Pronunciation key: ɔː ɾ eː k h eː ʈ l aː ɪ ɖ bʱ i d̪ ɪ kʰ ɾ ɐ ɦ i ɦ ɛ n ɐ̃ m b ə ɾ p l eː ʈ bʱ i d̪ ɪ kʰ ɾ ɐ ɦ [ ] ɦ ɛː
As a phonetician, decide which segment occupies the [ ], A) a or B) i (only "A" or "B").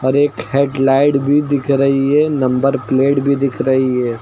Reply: B